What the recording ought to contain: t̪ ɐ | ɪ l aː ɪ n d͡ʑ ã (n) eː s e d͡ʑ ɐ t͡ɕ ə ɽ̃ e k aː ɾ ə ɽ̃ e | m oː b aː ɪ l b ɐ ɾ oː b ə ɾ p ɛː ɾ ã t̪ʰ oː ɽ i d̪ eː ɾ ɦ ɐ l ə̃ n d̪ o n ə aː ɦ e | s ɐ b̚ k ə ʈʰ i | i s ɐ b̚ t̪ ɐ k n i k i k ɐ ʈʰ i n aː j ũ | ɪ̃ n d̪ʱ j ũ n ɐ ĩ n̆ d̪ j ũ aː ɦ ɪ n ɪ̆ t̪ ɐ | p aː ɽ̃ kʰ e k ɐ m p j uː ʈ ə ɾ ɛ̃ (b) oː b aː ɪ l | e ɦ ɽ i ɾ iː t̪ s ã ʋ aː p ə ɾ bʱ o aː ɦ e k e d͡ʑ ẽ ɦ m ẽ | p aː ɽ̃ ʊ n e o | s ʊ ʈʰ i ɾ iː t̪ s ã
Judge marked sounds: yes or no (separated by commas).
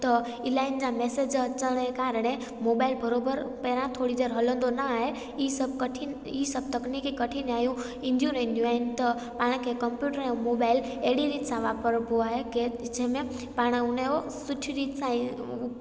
no, no